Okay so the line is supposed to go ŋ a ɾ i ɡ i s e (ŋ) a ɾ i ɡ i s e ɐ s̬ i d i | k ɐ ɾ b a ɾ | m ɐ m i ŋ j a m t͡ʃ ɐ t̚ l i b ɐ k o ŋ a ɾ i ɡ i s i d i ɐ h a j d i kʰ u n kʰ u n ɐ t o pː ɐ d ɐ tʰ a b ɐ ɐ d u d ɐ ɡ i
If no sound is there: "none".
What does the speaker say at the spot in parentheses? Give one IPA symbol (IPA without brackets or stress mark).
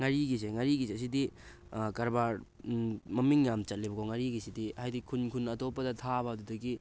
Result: ŋ